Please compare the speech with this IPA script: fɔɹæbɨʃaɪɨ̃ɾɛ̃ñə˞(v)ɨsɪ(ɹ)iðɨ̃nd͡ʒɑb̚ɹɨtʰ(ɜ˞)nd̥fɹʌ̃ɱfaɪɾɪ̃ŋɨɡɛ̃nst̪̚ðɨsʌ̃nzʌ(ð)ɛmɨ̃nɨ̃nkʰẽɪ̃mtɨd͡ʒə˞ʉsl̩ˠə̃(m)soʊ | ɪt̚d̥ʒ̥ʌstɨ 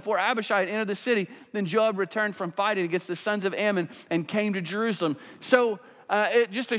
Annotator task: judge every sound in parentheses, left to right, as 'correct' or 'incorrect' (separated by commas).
incorrect, incorrect, incorrect, incorrect, correct